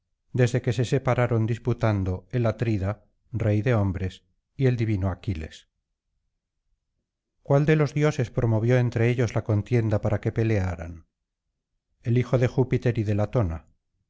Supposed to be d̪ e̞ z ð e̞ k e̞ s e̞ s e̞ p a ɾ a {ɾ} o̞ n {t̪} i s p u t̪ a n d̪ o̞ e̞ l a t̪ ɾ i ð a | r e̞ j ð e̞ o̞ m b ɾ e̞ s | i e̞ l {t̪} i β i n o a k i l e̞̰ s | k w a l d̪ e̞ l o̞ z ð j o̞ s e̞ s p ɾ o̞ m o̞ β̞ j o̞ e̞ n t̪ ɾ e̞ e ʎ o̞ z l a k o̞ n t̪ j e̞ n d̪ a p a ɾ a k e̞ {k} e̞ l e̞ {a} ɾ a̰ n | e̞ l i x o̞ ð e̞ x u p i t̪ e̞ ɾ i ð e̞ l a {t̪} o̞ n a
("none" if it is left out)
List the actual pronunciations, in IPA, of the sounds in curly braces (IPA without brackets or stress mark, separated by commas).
ɾ, d̪, d̪, p, a, t̪